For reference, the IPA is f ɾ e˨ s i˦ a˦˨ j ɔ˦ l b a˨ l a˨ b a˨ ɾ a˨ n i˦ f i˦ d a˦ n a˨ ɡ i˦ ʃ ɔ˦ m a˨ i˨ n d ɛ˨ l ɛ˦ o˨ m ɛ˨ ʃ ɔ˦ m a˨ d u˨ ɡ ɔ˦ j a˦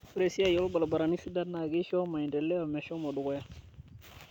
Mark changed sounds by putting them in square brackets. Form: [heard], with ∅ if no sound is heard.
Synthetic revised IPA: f ɾ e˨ s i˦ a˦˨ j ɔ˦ l b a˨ l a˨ b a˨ ɾ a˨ n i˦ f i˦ d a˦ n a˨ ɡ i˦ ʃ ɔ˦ m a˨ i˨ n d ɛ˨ l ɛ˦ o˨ m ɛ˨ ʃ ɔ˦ m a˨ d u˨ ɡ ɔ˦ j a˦